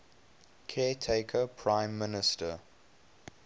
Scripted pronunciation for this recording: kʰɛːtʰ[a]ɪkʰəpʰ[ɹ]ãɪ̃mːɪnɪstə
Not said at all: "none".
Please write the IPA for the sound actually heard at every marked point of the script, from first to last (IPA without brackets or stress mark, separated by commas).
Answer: e, ɹ